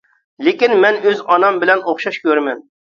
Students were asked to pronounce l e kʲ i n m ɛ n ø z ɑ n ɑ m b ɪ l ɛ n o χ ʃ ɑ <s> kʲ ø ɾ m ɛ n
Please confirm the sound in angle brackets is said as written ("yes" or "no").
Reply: no